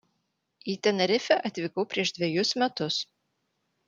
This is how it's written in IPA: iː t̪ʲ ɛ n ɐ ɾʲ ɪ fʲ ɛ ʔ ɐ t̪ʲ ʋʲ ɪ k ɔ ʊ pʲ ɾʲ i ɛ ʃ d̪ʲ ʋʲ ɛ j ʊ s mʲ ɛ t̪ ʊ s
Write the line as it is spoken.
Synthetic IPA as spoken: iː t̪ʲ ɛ n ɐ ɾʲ ɪ fʲ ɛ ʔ ɐ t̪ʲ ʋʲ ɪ k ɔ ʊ pʲ ɾʲ i ɛ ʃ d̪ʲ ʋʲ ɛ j ʊ s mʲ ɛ t̪ ʊ s

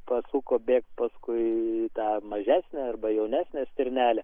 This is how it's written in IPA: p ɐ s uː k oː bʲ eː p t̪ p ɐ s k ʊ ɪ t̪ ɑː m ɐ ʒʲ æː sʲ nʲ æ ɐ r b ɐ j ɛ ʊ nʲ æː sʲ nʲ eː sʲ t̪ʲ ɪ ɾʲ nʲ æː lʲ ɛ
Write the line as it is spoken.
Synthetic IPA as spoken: p ɐ s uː k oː bʲ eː k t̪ p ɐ s k ʊ ɪ t̪ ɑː m ɐ ʒʲ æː sʲ nʲ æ ɐ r b ɐ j ɛ ʊ nʲ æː sʲ nʲ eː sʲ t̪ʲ ɪ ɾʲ nʲ æː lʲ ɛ

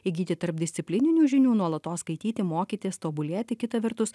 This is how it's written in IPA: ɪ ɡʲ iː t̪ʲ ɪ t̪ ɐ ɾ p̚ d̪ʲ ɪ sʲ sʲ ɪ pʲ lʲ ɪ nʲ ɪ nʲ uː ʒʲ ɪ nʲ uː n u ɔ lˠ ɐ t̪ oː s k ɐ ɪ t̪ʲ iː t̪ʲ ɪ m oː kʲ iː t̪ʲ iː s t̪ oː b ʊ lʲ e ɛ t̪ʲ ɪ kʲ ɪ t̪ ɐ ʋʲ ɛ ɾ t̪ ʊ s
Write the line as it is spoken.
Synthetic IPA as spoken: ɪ ɡʲ iː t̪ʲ ɪ t̪ ɐ ɾ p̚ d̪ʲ ɪ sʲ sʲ ɪ pʲ lʲ ɪ nʲ ɪ nʲ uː ʒʲ ɪ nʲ uː n u ɔ lˠ ɐ t̪ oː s k ɐ ɪ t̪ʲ iː t̪ʲ ɪ m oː kʲ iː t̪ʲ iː s t̪ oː b ʊ lʲ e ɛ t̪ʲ ɪ kʲ ɪ t̪ ɐ ʋʲ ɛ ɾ t̪ ʊ s

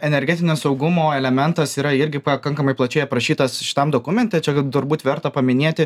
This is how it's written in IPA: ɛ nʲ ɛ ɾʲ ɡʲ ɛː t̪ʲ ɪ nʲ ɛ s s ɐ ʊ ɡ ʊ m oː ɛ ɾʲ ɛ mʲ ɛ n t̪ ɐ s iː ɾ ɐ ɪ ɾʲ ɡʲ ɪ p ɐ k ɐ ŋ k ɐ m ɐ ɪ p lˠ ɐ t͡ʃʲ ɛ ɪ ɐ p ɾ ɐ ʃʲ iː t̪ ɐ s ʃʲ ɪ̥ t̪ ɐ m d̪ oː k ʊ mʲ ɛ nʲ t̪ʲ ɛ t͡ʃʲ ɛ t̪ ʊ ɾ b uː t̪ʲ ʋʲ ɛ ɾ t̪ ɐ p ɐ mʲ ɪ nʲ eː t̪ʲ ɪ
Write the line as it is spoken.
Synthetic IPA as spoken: ɛ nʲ ɛ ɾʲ ɡʲ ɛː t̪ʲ ɪ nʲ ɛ s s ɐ ʊ ɡ ʊ m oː ɛ lʲ ɛ mʲ ɛ n t̪ ɐ s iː ɾ ɐ ɪ ɾʲ ɡʲ ɪ p ɐ k ɐ ŋ k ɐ m ɐ ɪ p lˠ ɐ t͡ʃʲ ɛ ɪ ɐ p ɾ ɐ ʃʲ iː t̪ ɐ s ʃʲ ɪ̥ t̪ ɐ m d̪ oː k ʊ mʲ ɛ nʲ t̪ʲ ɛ t͡ʃʲ ɛ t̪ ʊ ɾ b uː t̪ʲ ʋʲ ɛ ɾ t̪ ɐ p ɐ mʲ ɪ nʲ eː t̪ʲ ɪ

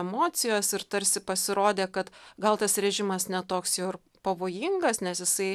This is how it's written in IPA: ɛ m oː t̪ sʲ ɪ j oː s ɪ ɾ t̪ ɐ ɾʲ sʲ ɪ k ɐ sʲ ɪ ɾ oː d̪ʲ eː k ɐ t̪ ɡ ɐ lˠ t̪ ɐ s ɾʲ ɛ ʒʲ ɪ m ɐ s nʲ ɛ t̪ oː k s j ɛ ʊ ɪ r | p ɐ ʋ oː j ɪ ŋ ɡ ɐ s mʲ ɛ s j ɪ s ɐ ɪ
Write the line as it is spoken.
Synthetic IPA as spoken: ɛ m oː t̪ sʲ ɪ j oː s ɪ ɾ t̪ ɐ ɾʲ sʲ ɪ p ɐ sʲ ɪ ɾ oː d̪ʲ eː k ɐ t̪ ɡ ɐ lˠ t̪ ɐ s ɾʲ ɛ ʒʲ ɪ m ɐ s nʲ ɛ t̪ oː k s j ɛ ʊ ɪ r | p ɐ ʋ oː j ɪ ŋ ɡ ɐ s nʲ ɛ s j ɪ s ɐ ɪ

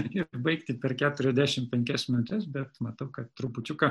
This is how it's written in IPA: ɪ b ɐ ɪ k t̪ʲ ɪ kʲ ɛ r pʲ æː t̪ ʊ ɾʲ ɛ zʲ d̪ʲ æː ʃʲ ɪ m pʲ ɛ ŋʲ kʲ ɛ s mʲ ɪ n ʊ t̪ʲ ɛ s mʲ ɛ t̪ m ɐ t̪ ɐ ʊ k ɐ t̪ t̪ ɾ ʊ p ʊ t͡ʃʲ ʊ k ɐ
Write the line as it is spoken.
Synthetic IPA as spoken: ɪ b ɐ ɪ k t̪ʲ ɪ pʲ ɛ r kʲ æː t̪ ʊ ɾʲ ɛ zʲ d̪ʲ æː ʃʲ ɪ m pʲ ɛ ŋʲ kʲ ɛ s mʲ ɪ n ʊ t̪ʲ ɛ s bʲ ɛ t̪ m ɐ t̪ ɐ ʊ k ɐ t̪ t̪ ɾ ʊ p ʊ t͡ʃʲ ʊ k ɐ

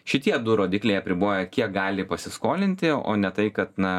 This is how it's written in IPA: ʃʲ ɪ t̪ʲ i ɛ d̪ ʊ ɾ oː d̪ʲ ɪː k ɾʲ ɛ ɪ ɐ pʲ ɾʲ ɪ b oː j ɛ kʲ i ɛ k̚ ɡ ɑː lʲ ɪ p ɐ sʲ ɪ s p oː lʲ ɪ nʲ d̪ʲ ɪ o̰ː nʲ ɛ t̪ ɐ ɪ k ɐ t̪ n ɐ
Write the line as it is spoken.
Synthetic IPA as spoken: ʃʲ ɪ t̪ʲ i ɛ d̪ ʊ ɾ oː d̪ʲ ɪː k lʲ ɛ ɪ ɐ pʲ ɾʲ ɪ b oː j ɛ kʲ i ɛ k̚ ɡ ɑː lʲ ɪ p ɐ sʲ ɪ s k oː lʲ ɪ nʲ t̪ʲ ɪ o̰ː nʲ ɛ t̪ ɐ ɪ k ɐ t̪ n ɐ

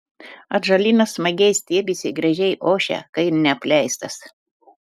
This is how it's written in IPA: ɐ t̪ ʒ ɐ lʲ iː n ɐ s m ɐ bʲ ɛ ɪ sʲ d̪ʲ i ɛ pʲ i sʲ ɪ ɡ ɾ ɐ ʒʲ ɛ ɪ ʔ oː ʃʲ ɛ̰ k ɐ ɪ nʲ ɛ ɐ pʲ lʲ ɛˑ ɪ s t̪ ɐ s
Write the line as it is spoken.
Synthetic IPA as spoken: ɐ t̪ ʒ ɐ lʲ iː n ɐ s m ɐ ɡʲ ɛ ɪ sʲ t̪ʲ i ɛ bʲ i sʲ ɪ ɡ ɾ ɐ ʒʲ ɛ ɪ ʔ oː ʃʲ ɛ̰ k ɐ ɪ nʲ ɛ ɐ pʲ lʲ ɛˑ ɪ s t̪ ɐ s

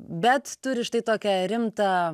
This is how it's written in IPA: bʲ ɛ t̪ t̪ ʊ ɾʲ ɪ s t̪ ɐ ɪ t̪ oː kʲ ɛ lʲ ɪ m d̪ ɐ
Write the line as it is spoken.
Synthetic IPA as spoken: bʲ ɛ t̪ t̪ ʊ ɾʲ ɪ ʃ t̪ ɐ ɪ t̪ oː kʲ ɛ ɾʲ ɪ m t̪ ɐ

